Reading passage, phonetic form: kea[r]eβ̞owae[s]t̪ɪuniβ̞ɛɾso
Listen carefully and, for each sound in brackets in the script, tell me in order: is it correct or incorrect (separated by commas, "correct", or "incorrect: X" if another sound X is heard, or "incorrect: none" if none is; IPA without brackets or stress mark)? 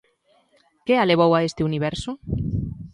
incorrect: l, correct